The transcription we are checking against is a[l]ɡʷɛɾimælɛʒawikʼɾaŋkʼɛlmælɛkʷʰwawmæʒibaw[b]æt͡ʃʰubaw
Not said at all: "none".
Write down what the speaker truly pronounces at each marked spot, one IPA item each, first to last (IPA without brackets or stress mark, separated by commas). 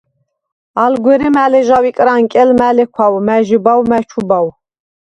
l, m